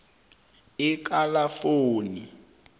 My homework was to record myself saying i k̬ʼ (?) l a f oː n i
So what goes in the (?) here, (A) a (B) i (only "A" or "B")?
A